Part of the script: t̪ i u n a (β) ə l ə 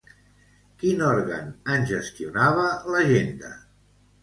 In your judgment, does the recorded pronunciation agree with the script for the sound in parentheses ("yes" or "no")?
yes